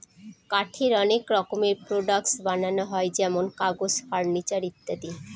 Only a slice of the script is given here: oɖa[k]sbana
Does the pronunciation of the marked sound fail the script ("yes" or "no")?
no